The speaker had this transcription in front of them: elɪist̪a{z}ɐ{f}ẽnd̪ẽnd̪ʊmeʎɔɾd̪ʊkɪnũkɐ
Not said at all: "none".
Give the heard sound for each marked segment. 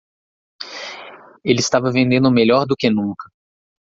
v, v

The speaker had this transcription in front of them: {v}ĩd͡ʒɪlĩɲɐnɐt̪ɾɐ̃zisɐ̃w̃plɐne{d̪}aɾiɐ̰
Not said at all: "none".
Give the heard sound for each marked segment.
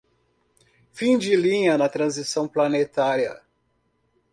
f, t̪

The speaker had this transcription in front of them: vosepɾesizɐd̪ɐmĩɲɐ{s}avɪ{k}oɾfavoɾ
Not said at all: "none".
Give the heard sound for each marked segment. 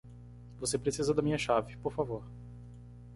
ʃ, p

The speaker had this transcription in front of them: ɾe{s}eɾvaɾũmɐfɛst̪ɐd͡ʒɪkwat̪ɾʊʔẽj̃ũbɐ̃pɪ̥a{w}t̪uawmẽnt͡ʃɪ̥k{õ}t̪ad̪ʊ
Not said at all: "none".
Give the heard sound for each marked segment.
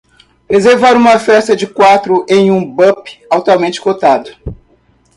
z, w, o

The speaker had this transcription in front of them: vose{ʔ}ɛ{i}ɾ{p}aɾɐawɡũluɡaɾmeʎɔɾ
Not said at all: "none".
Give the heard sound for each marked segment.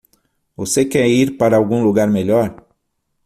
k, i, p

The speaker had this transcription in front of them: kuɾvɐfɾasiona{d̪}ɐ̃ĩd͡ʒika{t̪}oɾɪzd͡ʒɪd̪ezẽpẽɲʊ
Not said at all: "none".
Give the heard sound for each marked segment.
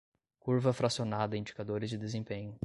d̪, d̪

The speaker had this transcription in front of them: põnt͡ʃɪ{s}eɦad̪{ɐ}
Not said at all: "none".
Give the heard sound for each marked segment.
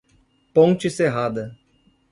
s, ɐ

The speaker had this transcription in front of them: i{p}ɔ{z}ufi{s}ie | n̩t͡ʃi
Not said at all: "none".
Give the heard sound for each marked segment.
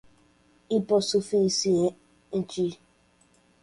p, s, s

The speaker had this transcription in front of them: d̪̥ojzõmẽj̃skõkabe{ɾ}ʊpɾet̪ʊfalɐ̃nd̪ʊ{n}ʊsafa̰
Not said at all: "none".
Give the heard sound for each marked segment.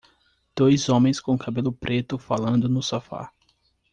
l, n

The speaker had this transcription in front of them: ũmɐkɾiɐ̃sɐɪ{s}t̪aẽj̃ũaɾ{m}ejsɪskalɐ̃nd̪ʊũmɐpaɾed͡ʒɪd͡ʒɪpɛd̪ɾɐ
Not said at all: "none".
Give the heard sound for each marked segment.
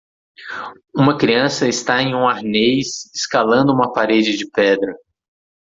s, n

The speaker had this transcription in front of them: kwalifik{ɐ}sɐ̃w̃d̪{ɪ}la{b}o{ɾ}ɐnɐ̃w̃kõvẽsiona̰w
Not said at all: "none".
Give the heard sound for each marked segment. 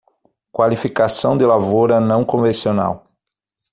a, ɪ, v, ɾ

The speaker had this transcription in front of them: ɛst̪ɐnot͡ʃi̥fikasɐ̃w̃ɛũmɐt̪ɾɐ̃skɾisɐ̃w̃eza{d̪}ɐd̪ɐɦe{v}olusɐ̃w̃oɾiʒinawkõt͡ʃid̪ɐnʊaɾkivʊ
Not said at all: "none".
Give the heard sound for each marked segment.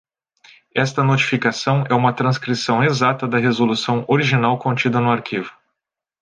t̪, z

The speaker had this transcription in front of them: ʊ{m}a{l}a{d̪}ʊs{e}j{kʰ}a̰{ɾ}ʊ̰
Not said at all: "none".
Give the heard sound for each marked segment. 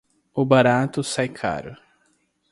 b, ɾ, t̪, a, kʰ, ɾ

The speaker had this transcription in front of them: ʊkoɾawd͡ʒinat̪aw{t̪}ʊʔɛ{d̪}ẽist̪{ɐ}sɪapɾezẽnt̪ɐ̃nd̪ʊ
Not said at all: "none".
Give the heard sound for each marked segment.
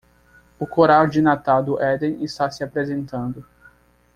d̪, d̪, a

